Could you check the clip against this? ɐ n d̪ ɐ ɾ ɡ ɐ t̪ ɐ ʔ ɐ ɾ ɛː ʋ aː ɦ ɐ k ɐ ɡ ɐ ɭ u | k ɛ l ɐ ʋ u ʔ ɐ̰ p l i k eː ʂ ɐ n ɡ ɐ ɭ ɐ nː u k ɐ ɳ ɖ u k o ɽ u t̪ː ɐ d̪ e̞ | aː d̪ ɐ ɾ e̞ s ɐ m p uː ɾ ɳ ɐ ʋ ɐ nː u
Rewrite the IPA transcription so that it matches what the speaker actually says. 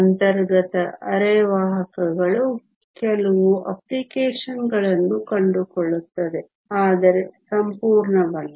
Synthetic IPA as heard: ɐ n t̪ ɐ ɾ ɡ ɐ t̪ ɐ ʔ ɐ ɾ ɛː ʋ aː ɦ ɐ k ɐ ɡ ɐ ɭ u | k ɛ l ɐ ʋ u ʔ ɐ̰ p l i k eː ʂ ɐ n ɡ ɐ ɭ ɐ nː u k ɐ ɳ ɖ u k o ɭ u t̪ː ɐ d̪ e̞ | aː d̪ ɐ ɾ e̞ s ɐ m p uː ɾ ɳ ɐ ʋ ɐ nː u